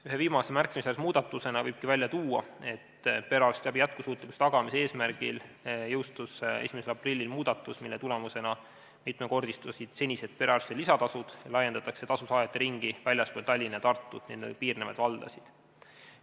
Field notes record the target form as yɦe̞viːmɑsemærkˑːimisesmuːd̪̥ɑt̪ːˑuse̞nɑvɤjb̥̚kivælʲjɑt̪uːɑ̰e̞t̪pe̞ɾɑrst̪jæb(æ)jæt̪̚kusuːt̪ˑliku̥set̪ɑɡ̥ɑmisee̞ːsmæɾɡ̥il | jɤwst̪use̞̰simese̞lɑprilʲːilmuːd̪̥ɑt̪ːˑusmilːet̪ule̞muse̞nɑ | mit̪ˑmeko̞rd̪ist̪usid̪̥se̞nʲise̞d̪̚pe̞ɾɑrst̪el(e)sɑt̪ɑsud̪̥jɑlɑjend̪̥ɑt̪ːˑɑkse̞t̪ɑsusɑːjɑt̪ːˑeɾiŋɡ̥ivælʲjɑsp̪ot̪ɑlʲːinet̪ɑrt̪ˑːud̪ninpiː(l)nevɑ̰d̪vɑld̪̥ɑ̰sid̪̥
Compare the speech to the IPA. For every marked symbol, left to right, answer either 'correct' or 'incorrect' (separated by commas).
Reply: incorrect, incorrect, incorrect